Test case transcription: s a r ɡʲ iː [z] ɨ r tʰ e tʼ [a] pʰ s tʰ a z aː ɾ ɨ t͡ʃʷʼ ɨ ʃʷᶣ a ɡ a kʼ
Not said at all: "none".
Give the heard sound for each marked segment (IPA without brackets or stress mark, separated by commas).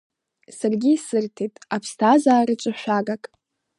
s, a